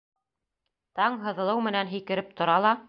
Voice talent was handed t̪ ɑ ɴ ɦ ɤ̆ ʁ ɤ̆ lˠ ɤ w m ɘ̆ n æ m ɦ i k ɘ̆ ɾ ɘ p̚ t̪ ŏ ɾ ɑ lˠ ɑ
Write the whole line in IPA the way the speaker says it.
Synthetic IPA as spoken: t̪ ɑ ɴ ɦ ɤ̆ ð ɤ̆ lˠ ɤ w m ɘ̆ n æ n ɦ i k ɘ̆ ɾ ɘ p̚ t̪ ŏ ɾ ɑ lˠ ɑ